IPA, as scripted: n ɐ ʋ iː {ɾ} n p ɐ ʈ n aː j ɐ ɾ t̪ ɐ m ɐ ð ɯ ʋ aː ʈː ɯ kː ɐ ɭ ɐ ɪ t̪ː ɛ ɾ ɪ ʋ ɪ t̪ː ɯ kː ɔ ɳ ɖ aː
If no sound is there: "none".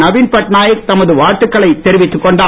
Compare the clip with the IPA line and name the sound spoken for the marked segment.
none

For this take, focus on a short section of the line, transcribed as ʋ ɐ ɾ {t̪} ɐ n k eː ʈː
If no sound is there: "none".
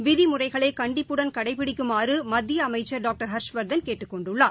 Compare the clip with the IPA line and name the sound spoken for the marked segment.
d̪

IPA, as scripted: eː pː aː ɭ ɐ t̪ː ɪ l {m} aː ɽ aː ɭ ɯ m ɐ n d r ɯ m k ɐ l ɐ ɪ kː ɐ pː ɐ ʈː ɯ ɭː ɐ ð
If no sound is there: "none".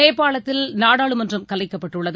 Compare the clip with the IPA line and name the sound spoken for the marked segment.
n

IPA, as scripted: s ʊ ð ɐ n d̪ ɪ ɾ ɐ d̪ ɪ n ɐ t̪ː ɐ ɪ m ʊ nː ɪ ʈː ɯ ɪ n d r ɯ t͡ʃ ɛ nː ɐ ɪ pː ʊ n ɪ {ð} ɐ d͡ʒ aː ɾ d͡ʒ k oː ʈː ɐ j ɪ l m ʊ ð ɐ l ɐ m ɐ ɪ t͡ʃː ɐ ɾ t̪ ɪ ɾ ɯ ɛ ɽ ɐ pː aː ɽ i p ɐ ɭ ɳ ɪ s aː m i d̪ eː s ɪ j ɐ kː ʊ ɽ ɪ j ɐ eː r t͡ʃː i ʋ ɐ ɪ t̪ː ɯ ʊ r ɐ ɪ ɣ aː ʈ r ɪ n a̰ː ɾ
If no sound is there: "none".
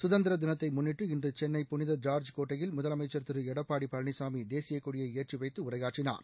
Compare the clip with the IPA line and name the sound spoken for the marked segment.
ð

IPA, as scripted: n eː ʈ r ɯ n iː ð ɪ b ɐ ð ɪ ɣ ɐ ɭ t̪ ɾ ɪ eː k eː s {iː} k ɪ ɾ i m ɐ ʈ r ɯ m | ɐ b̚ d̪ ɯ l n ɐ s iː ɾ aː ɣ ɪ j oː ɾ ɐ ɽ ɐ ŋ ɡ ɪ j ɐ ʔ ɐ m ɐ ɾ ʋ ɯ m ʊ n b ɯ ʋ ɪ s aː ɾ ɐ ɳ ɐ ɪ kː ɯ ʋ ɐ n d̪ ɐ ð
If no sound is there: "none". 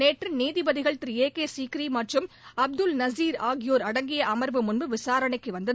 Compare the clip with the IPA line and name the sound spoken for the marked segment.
iː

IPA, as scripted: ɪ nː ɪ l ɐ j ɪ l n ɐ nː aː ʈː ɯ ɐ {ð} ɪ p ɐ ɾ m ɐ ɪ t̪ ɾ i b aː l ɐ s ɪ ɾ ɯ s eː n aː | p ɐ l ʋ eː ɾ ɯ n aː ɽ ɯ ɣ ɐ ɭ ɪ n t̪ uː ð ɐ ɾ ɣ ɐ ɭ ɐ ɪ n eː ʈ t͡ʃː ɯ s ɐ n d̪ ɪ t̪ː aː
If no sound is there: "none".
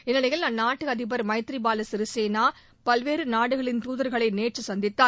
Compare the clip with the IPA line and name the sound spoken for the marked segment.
ð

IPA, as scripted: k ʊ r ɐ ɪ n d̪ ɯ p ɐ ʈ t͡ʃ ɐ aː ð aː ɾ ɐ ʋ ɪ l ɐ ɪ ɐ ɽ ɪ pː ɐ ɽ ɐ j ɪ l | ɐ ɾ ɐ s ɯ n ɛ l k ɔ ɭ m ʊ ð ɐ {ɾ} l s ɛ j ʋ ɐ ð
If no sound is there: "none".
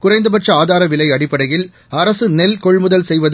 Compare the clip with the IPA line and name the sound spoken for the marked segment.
none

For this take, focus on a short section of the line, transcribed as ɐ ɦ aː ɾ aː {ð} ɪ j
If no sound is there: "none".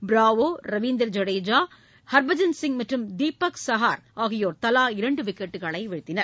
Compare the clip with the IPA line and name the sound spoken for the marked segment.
ɣ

